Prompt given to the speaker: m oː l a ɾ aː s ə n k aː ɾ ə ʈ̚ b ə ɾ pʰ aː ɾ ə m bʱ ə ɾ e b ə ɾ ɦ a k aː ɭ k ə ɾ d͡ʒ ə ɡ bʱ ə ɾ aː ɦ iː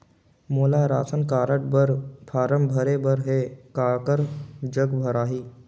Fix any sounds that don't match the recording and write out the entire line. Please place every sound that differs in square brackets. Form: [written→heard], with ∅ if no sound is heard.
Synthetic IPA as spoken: m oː l a ɾ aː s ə n k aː ɾ ə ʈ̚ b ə ɾ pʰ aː ɾ ə m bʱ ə ɾ e b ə ɾ ɦ [a→e] k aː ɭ k ə ɾ d͡ʒ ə ɡ bʱ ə ɾ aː ɦ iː